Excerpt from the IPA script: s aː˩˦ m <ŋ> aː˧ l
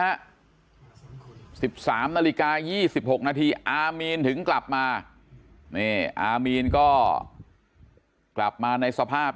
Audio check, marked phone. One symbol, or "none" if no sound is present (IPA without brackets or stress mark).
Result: n